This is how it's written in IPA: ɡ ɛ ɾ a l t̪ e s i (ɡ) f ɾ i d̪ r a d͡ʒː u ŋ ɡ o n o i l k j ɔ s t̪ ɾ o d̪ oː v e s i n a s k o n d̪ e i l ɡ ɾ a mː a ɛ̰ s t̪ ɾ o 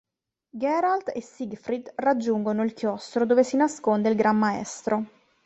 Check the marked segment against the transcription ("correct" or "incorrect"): correct